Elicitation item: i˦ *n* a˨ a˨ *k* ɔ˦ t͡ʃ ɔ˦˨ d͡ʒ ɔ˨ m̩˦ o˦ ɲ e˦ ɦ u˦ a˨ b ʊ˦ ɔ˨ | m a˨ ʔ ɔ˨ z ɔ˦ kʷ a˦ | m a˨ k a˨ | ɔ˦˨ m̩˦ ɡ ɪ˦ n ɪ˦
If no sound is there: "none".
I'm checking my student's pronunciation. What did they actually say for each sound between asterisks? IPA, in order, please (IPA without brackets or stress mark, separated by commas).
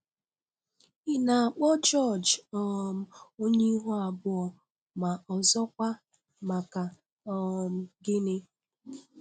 n, k͡p